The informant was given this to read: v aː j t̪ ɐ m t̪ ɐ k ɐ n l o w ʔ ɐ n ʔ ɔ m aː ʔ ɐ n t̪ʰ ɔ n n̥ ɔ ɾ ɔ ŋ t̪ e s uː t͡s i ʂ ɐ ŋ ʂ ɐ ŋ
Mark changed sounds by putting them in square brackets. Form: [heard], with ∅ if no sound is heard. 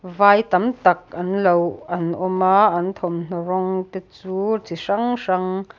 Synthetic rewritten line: v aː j t̪ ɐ m t̪ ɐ k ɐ n l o w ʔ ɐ n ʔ ɔ m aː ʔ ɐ n t̪ʰ ɔ [m] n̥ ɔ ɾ ɔ ŋ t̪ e [t͡s] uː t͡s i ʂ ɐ ŋ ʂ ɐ ŋ